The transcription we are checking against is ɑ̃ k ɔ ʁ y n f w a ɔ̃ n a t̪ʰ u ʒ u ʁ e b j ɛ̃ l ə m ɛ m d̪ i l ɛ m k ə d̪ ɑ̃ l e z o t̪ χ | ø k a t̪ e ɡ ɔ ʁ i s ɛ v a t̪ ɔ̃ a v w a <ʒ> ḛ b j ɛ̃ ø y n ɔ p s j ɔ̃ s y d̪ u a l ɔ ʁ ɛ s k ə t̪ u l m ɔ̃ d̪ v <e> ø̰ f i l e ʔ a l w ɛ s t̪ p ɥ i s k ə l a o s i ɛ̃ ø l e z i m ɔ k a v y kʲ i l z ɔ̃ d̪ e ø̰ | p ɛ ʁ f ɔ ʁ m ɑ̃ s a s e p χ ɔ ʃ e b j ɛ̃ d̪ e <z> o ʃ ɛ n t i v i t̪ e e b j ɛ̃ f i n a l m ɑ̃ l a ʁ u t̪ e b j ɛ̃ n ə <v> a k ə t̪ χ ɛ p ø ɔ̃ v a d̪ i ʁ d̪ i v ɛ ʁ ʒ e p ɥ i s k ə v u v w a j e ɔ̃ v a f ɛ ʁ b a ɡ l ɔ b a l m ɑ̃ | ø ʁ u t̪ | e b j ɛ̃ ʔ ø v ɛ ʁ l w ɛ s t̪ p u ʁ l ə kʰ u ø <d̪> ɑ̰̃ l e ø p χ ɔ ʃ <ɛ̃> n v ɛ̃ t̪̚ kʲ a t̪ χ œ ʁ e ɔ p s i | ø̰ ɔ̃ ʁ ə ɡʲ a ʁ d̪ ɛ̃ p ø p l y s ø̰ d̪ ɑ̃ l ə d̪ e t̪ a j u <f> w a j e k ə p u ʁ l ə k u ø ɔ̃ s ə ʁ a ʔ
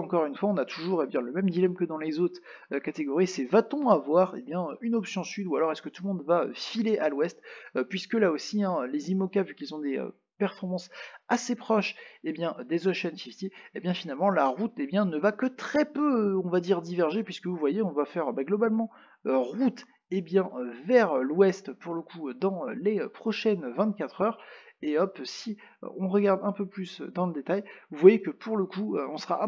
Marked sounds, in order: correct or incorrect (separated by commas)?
incorrect, incorrect, correct, correct, correct, incorrect, incorrect